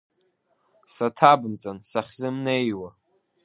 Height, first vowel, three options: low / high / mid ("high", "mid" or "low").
low